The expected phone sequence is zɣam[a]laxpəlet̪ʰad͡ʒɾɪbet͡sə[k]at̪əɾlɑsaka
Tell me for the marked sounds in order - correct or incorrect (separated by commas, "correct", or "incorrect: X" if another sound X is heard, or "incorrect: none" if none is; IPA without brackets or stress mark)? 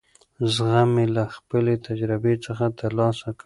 incorrect: e, incorrect: x